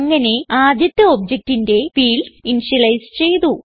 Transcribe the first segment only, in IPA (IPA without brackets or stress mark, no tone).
ŋː